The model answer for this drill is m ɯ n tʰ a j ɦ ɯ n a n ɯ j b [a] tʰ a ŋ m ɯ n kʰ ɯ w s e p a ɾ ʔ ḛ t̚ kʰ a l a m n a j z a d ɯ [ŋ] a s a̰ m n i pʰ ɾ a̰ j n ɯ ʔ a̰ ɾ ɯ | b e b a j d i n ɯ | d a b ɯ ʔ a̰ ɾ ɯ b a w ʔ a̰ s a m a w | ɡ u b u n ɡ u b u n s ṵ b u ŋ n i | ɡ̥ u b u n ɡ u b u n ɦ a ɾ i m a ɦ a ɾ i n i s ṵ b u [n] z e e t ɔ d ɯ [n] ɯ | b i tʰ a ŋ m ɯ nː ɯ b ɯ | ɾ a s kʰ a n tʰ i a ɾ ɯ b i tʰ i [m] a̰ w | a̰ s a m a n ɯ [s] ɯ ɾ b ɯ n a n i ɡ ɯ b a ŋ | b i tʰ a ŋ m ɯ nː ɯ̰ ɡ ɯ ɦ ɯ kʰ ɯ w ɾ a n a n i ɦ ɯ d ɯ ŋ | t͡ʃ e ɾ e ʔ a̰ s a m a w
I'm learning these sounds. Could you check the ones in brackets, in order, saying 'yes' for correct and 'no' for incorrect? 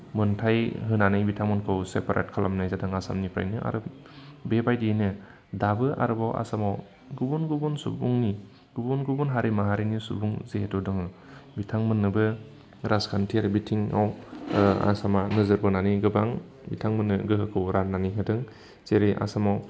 no, yes, no, no, no, no

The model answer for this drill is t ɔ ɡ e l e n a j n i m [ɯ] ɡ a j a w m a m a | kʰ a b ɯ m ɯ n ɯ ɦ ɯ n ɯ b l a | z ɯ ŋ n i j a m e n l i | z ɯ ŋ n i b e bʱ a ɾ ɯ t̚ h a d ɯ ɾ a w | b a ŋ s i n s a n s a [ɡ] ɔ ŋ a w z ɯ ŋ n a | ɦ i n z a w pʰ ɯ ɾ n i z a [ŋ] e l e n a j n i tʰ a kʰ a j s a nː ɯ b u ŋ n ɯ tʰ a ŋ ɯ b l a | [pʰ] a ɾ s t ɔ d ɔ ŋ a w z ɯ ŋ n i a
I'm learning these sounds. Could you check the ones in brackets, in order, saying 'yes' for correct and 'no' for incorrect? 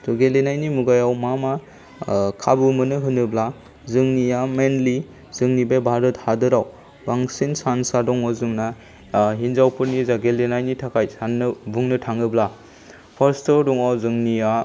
no, no, no, yes

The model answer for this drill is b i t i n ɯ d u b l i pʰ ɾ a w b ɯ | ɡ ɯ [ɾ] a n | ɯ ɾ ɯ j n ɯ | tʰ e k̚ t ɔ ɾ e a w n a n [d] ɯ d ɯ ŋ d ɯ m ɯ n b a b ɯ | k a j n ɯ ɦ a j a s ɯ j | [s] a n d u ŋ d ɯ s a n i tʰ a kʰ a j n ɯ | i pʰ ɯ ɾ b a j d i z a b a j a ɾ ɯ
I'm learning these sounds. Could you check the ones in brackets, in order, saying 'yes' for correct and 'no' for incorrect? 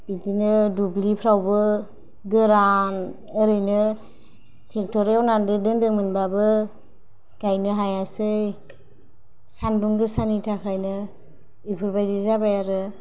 yes, yes, yes

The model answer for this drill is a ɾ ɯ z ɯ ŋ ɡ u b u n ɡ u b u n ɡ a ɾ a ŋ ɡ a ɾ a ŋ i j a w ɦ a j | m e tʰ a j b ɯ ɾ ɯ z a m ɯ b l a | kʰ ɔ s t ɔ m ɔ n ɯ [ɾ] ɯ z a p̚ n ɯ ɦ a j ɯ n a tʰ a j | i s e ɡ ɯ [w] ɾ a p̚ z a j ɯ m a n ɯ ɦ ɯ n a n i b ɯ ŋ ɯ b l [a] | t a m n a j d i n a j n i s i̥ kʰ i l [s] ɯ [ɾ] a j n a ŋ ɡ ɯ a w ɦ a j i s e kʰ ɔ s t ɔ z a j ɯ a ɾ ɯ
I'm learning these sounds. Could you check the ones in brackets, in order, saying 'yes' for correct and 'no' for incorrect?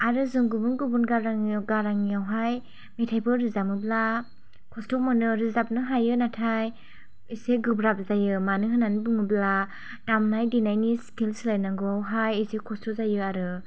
yes, no, yes, yes, no

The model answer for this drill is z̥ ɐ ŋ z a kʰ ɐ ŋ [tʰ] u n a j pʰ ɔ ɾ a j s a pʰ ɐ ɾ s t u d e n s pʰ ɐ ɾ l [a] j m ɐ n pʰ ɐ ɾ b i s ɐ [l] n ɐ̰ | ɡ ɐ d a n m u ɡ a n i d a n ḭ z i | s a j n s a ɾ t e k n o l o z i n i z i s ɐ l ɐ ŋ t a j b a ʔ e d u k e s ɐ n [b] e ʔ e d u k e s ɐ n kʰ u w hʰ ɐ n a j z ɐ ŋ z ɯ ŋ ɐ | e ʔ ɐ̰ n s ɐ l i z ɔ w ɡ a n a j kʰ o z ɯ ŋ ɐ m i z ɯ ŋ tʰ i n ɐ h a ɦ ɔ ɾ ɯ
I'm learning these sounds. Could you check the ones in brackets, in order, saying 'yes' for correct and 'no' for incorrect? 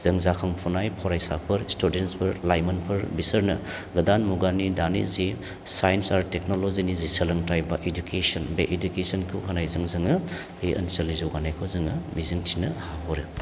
no, yes, no, yes

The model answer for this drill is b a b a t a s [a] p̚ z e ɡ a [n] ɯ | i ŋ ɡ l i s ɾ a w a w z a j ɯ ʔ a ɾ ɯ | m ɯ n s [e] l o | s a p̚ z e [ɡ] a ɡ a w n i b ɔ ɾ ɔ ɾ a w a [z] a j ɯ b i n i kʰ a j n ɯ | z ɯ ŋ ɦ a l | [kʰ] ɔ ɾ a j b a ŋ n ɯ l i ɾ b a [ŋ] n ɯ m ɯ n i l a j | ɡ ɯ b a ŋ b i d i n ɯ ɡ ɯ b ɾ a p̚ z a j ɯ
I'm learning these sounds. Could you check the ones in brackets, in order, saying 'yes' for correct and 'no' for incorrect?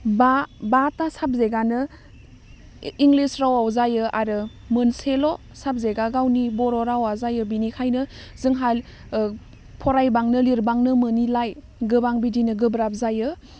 yes, yes, yes, yes, yes, no, yes

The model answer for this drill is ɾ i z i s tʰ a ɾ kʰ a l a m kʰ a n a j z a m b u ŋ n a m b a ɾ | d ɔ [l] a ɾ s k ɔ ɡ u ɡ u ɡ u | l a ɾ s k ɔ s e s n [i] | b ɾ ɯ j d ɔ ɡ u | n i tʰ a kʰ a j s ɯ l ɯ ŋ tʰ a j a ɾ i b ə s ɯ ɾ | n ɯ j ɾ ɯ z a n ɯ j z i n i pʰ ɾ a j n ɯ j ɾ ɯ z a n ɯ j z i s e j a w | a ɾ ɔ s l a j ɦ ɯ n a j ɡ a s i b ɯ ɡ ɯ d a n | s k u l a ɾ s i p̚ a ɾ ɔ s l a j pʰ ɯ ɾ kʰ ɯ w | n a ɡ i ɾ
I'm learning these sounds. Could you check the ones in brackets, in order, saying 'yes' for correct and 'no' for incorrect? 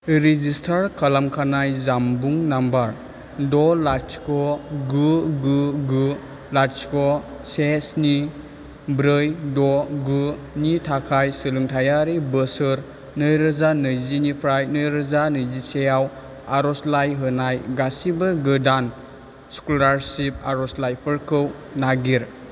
yes, yes

